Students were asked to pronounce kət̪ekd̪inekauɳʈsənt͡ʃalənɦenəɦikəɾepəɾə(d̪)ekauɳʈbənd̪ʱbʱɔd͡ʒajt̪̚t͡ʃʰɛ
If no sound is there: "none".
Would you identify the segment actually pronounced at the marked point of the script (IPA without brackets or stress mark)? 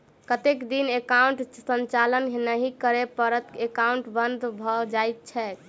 t̪